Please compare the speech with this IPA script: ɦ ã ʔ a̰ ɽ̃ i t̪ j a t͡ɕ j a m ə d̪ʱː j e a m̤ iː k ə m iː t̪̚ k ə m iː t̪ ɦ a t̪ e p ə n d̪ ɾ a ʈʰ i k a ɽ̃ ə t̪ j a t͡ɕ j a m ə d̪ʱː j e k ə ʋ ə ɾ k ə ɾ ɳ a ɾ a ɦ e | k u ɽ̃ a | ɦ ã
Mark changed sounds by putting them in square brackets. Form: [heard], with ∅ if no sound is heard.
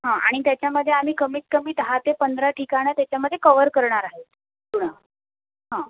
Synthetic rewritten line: ɦ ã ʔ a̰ ɽ̃ i t̪ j a t͡ɕ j a m ə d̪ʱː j e a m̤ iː k ə m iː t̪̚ k ə m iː t̪ ɦ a t̪ e p ə n d̪ ɾ a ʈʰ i k a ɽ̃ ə t̪ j a t͡ɕ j a m ə d̪ʱː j e k ə ʋ ə ɾ k ə ɾ ɳ a ɾ a ɦ e | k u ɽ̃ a | ɦ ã